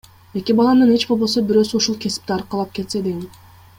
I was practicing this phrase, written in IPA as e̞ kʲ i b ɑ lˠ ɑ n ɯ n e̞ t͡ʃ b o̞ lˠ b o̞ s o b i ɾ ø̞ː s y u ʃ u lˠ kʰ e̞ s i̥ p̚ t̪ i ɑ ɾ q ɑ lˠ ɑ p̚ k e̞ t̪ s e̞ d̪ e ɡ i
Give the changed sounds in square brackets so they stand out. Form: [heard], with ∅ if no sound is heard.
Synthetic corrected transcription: e̞ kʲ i b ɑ lˠ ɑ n ɯ n e̞ t͡ʃ b o̞ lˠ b o̞ s o b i ɾ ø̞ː s y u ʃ u lˠ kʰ e̞ s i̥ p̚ t̪ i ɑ ɾ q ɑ lˠ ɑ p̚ k e̞ t̪ s e̞ d̪ e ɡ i

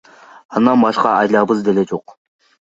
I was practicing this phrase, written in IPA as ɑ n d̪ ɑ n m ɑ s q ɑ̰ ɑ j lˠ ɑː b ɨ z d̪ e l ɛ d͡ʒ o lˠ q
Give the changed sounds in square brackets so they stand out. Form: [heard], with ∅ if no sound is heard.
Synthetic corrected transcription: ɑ n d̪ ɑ n [b] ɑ [ʃ] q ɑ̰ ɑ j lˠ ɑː b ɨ z d̪ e l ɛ d͡ʒ o [∅] q

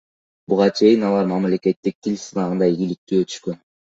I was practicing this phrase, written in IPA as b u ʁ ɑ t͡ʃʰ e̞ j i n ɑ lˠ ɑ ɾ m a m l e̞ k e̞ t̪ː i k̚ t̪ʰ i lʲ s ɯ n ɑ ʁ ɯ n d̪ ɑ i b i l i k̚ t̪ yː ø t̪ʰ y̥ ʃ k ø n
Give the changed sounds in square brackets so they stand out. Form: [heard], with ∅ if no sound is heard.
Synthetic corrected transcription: b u ʁ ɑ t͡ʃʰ e̞ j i n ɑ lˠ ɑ ɾ m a m l e̞ k e̞ t̪ː i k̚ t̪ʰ i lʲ s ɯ n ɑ ʁ ɯ n d̪ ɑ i [ɡ] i l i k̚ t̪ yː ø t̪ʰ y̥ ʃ k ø n

